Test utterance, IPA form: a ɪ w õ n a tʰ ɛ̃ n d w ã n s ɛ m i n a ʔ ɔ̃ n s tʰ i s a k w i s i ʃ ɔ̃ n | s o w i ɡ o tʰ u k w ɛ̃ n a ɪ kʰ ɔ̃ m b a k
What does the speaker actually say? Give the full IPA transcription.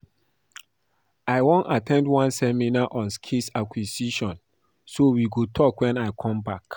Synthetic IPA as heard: a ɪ w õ n a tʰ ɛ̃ n d w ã n s ɛ m i n a ʔ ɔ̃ n s kʰ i s a k w i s i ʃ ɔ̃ n | s o w i ɡ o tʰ ɔ k w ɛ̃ n a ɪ kʰ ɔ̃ m b a k